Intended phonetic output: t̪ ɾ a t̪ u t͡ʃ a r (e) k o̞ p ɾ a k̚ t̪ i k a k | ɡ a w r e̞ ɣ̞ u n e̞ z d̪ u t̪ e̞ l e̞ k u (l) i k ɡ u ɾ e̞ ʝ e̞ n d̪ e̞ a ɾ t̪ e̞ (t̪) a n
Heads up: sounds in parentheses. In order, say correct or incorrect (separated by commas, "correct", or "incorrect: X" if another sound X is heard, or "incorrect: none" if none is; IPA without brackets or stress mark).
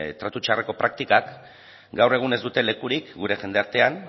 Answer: correct, incorrect: ɾ, incorrect: none